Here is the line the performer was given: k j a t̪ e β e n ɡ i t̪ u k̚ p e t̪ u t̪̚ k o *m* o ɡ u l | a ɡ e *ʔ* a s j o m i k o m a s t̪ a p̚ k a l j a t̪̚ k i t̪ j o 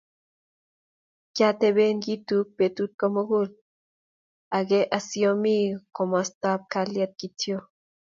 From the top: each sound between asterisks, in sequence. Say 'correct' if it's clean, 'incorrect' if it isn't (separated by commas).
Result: correct, correct